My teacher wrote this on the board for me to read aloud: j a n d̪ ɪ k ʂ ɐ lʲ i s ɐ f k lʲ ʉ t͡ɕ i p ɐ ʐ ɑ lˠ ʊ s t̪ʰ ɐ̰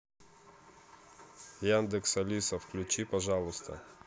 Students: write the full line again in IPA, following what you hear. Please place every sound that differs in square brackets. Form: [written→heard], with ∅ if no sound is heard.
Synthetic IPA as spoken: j a n d̪ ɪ k [ʂ→s] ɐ lʲ i s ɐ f k lʲ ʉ t͡ɕ i p ɐ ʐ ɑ lˠ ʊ s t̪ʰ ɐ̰